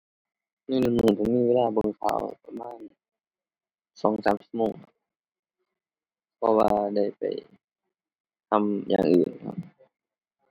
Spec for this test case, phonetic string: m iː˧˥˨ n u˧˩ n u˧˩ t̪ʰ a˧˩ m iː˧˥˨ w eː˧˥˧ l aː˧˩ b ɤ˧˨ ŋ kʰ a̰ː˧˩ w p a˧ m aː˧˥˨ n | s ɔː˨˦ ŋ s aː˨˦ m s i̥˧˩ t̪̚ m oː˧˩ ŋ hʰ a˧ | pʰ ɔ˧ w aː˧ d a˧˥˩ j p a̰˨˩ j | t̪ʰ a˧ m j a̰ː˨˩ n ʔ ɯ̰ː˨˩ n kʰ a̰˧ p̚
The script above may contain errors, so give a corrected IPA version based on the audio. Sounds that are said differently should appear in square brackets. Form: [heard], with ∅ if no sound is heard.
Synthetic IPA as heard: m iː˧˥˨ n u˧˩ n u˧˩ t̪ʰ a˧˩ m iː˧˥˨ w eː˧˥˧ l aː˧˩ b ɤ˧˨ ŋ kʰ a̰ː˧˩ w p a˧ m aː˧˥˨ n | s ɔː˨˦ ŋ s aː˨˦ m s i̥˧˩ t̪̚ m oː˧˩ ŋ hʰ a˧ | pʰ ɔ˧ w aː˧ d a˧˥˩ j p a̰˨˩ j | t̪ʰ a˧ m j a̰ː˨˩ [ŋ] ʔ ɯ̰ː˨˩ n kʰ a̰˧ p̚